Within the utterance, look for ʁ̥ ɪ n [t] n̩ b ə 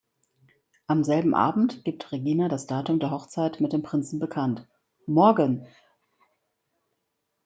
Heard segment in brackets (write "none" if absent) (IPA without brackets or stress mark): t͡s